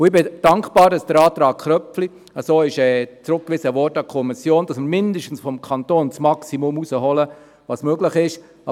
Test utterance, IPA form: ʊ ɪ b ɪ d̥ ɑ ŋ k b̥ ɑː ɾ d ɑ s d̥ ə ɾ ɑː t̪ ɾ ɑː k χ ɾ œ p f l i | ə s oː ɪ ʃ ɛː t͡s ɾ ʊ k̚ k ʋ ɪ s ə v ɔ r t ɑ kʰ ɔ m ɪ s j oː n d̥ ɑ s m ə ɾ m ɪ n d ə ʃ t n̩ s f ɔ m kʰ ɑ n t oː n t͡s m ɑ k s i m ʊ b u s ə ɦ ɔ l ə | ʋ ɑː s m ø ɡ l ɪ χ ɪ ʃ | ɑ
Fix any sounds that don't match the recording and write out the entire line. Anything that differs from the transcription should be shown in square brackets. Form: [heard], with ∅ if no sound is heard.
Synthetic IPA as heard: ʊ ɪ b ɪ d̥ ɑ ŋ k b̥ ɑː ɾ d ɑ s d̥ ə ɾ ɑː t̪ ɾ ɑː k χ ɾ œ p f l i | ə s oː ɪ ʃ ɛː t͡s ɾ ʊ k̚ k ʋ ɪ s ə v ɔ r t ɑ kʰ ɔ m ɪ s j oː n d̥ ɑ s m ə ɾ m ɪ n d ə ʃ t n̩ s f ɔ m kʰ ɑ n t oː n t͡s m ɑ k s i m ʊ [m] u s ə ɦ ɔ l ə | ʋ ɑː s m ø ɡ l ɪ χ ɪ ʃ | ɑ